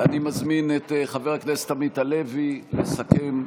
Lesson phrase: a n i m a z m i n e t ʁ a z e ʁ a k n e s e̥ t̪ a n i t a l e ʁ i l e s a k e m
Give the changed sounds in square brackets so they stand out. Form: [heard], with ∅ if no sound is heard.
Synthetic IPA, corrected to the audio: a n i m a z m i n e t [χ] a [v] e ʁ a k n e s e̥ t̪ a [m] i t a l e [v] i l e s a k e m